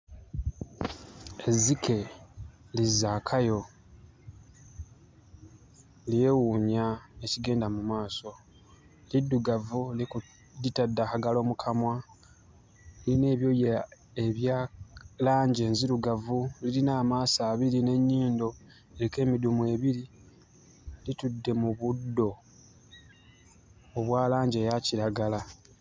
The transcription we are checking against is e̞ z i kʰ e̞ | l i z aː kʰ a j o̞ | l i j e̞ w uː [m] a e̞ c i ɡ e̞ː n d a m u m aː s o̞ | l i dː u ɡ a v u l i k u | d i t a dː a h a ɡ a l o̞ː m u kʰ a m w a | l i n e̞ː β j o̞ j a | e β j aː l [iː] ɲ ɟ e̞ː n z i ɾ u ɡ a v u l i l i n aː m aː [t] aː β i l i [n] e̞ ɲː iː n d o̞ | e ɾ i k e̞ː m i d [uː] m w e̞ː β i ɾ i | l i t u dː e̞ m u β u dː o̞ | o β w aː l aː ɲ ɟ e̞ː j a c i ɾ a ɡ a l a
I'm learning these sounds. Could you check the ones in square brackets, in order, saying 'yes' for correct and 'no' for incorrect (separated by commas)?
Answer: no, no, no, yes, no